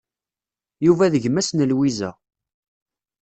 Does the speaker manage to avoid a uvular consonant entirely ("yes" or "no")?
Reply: yes